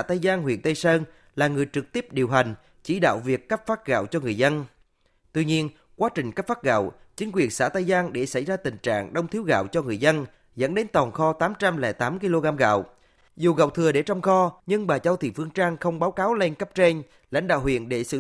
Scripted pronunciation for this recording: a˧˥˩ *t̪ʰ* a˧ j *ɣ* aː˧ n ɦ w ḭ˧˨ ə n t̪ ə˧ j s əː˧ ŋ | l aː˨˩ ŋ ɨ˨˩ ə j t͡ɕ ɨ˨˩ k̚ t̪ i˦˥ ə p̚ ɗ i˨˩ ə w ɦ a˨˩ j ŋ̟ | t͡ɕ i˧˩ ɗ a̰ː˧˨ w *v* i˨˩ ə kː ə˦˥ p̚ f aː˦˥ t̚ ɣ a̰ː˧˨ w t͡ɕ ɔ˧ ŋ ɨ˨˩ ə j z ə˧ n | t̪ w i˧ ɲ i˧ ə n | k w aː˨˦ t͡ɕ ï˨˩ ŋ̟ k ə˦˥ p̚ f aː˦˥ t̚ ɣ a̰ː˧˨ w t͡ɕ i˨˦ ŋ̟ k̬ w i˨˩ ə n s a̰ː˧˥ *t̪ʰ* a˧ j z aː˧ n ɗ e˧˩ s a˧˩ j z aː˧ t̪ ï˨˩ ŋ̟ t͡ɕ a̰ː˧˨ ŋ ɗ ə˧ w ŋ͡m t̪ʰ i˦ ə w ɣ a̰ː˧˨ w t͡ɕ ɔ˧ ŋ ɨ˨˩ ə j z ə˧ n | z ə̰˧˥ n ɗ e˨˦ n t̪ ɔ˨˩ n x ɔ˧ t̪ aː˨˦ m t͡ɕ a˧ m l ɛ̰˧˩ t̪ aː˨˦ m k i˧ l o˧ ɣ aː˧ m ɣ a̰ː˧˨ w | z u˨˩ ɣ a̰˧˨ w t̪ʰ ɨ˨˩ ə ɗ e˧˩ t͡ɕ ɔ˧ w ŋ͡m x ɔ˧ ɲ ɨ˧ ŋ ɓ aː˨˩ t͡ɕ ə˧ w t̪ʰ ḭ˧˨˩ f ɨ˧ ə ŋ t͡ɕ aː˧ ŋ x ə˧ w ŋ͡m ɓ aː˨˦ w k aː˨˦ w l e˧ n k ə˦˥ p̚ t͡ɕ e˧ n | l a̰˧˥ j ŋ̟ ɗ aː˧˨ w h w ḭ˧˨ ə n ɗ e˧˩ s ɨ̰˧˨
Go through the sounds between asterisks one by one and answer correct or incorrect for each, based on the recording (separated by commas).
incorrect, incorrect, correct, incorrect